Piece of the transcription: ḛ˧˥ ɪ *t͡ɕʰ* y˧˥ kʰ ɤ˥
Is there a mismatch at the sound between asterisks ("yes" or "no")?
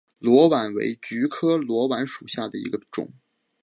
yes